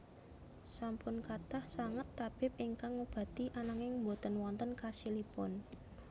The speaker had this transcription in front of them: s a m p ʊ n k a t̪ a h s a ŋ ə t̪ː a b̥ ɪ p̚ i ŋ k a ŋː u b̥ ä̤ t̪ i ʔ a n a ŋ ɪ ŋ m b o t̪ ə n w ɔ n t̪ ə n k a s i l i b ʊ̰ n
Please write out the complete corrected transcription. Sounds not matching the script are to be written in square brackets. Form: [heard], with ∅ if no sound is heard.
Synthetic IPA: s a m p ʊ n k a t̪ a h s a ŋ ə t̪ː a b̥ ɪ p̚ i ŋ k a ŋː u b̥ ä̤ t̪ i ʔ a n a ŋ ɪ ŋ m b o t̪ ə n w ɔ n t̪ ə n k a s i l i [p] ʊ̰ n

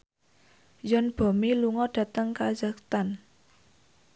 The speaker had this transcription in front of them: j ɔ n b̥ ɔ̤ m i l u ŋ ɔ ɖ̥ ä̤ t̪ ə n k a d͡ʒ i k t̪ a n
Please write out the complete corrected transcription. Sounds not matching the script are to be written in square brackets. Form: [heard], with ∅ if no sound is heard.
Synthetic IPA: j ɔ n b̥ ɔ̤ m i l u ŋ ɔ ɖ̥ ä̤ t̪ ə [ŋ] k a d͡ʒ [a] k t̪ a n

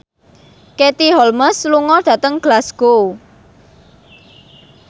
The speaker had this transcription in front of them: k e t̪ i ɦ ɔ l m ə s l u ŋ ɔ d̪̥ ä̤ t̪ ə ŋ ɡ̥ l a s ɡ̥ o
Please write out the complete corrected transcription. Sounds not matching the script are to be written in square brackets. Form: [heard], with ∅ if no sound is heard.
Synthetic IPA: k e t̪ i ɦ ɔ l m ə s l u ŋ ɔ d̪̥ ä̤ t̪ ə ŋ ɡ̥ l a s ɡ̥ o

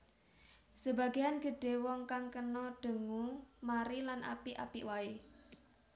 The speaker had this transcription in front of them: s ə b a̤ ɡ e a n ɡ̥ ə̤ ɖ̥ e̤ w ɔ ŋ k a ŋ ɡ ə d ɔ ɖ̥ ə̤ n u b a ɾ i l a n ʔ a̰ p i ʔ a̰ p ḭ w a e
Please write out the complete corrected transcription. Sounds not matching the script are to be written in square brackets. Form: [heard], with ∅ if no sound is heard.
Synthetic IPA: s ə b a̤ ɡ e a n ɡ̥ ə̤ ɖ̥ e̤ w ɔ ŋ k a ŋ [k] ə [n] ɔ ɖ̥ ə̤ [ŋ] u [m] a ɾ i l a n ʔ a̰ p i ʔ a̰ p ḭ w a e

